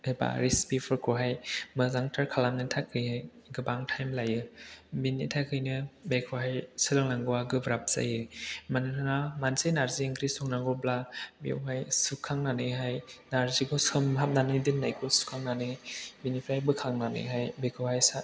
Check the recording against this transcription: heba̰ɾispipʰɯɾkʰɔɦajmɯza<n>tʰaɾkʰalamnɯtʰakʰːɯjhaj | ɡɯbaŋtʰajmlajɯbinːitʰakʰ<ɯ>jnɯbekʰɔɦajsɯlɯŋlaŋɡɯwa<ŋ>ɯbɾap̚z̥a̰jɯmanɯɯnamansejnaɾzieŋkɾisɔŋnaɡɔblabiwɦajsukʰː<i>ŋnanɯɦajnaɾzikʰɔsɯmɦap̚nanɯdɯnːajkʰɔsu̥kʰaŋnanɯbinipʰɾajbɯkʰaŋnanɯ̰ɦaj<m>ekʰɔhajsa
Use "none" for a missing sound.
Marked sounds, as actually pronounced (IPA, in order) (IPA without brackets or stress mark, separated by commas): ŋ, ɯ, ɡ, a, b